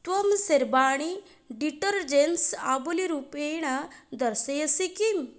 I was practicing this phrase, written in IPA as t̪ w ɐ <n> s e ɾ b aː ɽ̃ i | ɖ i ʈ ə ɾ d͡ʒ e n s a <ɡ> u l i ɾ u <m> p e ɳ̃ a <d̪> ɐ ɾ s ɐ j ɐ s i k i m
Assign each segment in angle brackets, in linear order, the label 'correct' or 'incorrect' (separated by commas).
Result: incorrect, incorrect, incorrect, correct